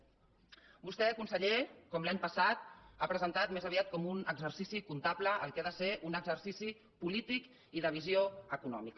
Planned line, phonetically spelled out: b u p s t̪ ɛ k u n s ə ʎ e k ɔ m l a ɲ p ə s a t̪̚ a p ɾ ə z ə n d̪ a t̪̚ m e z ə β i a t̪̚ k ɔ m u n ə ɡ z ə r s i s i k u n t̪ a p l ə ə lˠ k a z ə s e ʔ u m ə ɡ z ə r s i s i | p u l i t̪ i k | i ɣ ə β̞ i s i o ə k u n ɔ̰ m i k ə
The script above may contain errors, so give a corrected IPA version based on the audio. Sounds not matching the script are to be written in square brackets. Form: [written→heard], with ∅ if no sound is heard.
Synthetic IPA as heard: b u [p→∅] s t̪ ɛ k u n s ə ʎ e k ɔ m l a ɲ p ə s a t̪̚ a p ɾ ə z ə n [d̪→t̪] a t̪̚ m e z ə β i a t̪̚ k ɔ m u n ə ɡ z ə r s i s i k u n t̪ a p l ə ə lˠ k a [z→ð] ə s e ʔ u [m→n] ə ɡ z ə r s i s i | p u l i t̪ i k | i [ɣ→ð] ə β̞ i [s→z] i o ə k u n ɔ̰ m i k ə

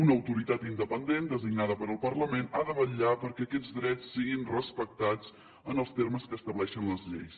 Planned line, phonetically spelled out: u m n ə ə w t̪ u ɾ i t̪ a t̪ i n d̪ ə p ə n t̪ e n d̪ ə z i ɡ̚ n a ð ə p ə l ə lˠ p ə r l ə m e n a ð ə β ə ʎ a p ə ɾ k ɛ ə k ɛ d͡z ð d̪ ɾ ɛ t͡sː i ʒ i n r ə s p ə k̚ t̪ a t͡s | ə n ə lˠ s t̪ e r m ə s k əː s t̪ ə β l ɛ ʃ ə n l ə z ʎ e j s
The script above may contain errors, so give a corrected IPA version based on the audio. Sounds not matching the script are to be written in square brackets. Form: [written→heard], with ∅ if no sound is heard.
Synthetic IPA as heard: u [m→∅] n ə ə w t̪ u ɾ i t̪ a t̪ i n d̪ ə p ə n [t̪→d̪] e n d̪ ə z i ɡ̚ n a ð ə p ə [l→ɾ] ə lˠ p ə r l ə m e n a ð ə β ə ʎ a p ə ɾ k ɛ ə k ɛ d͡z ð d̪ ɾ ɛ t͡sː i [ʒ→ɣ] i n r ə s p ə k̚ t̪ a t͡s | ə n ə lˠ s t̪ e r m ə s k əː s t̪ ə β l ɛ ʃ ə n l ə z ʎ e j s

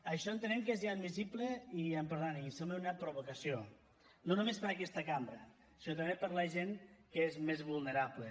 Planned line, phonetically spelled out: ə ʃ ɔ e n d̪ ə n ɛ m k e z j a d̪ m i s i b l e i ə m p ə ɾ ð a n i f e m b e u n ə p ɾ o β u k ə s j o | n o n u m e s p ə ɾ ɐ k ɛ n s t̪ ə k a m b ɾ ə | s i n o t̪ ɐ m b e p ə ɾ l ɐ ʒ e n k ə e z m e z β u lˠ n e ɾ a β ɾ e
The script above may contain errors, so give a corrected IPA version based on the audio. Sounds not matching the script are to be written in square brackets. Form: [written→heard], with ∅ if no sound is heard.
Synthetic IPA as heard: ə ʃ ɔ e n [d̪→t̪] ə n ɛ m k e z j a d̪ m i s i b l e i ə m p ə ɾ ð a n i [f→s] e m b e u n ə p ɾ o β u k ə s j o | n o n u m e s p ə ɾ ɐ k ɛ [n→∅] s t̪ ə k a m b ɾ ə | s i n o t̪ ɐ m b e p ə ɾ l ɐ ʒ e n k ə e z m e z β u lˠ n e ɾ a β [ɾ→l] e

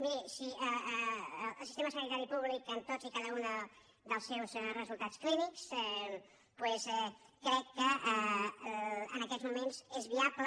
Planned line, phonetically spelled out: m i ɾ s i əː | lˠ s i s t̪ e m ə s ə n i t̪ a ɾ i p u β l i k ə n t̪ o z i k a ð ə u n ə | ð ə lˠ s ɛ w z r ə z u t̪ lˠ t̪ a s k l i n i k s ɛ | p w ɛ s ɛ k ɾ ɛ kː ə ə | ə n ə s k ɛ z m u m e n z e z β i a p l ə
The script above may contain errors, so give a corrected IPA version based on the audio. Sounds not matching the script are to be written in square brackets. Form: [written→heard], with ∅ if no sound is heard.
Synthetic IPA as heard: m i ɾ s i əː | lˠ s i s t̪ e m ə s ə n i t̪ a ɾ i p u β l i k ə n t̪ o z i k a ð ə u n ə | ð ə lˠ s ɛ w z r ə z u [t̪→∅] lˠ t̪ a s k l i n i k s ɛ | p w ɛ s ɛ k ɾ ɛ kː ə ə | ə n ə [s→∅] k ɛ z m u m e n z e z β i a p l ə

